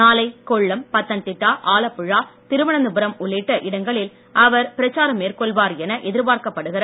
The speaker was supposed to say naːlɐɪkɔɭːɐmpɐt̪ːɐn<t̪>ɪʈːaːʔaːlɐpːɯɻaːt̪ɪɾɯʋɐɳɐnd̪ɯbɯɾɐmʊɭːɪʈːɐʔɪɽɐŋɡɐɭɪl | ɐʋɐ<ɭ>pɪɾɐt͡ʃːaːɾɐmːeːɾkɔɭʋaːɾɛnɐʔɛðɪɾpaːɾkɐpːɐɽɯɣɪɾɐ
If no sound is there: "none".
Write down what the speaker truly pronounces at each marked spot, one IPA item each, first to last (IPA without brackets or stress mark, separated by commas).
t̪, ɾ